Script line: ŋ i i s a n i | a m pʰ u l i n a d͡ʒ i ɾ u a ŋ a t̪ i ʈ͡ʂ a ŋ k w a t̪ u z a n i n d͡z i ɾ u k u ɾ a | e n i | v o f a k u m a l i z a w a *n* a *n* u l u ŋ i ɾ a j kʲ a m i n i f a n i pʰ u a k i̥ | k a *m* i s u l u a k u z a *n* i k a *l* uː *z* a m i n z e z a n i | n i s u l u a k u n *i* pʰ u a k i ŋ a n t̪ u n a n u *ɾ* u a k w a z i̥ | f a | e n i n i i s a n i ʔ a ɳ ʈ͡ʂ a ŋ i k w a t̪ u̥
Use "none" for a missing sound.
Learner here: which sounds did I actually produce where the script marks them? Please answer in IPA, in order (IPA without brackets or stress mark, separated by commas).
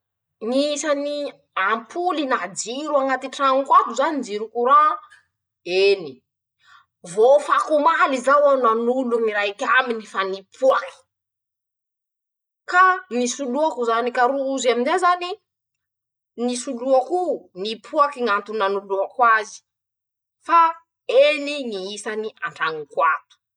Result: n, n, n, n, ɾ, z, i, l